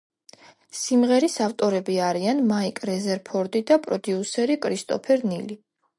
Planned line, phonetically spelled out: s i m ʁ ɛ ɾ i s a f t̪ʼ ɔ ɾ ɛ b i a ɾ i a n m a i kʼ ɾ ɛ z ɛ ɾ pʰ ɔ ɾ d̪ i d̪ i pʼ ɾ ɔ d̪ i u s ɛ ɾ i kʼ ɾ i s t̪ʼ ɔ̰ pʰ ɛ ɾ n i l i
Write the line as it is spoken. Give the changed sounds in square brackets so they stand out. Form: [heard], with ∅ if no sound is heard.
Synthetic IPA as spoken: s i m ʁ ɛ ɾ i s a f t̪ʼ ɔ ɾ ɛ b i a ɾ i a n m a i kʼ ɾ ɛ z ɛ ɾ pʰ ɔ ɾ d̪ i d̪ [a] pʼ ɾ ɔ d̪ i u s ɛ ɾ i kʼ ɾ i s t̪ʼ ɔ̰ pʰ ɛ ɾ n i l i